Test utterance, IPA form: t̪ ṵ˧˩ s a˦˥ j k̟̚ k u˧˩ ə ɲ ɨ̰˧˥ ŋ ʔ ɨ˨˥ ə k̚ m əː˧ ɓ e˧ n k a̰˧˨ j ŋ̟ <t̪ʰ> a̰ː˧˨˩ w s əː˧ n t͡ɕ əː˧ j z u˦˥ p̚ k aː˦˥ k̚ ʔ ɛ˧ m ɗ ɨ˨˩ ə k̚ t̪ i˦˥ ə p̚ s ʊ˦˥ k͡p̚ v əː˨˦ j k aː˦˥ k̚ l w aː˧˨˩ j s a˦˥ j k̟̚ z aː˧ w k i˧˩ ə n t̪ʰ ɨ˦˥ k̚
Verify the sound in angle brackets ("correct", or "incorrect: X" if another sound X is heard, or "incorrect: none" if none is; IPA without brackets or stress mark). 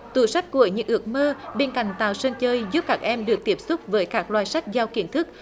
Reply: incorrect: t̪